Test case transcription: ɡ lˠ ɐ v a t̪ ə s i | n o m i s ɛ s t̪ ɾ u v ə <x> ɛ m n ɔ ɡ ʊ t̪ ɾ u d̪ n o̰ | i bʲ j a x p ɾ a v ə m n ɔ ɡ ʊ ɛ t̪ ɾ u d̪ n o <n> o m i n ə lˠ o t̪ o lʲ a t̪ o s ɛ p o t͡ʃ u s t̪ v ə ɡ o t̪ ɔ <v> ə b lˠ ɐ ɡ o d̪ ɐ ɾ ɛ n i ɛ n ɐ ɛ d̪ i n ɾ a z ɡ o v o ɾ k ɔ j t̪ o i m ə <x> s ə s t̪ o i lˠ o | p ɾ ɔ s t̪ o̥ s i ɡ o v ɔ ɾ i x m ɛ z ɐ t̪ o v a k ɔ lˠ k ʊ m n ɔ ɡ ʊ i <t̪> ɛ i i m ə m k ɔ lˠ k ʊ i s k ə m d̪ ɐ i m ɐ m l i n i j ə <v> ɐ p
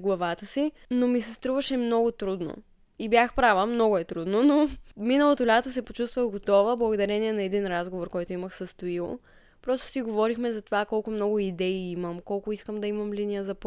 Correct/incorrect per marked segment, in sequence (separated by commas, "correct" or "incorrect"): incorrect, correct, correct, correct, incorrect, incorrect